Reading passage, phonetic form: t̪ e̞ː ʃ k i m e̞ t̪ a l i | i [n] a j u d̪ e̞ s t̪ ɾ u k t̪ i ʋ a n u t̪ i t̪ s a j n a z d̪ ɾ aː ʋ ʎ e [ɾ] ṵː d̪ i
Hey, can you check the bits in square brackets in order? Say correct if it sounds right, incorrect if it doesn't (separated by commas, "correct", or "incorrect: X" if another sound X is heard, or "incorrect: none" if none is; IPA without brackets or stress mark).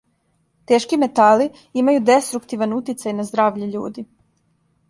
incorrect: m, incorrect: ʎ